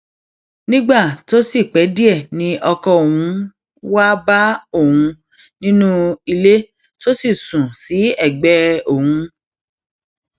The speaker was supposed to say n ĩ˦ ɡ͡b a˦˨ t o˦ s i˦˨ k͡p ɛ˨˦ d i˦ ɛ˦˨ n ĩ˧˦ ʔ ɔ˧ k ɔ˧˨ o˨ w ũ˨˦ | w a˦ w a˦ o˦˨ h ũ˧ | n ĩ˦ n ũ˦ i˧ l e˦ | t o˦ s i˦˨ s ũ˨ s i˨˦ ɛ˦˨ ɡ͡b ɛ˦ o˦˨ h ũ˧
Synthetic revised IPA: n ĩ˦ ɡ͡b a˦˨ t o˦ s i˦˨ k͡p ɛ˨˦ d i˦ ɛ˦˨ n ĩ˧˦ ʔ ɔ˧ k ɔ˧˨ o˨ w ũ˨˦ | w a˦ b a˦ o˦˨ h ũ˧ | n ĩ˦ n ũ˦ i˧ l e˦ | t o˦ s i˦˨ s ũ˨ s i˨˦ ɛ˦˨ ɡ͡b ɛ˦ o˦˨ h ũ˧